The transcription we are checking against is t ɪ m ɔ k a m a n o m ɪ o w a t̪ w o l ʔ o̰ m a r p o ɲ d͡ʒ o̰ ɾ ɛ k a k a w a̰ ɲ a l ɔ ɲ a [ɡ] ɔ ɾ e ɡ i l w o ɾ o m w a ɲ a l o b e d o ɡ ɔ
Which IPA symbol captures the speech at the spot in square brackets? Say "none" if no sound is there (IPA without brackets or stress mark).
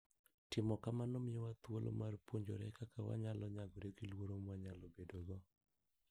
ɡ